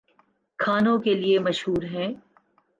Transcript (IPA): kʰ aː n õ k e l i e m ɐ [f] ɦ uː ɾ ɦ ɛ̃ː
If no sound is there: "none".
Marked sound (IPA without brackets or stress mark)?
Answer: ʃ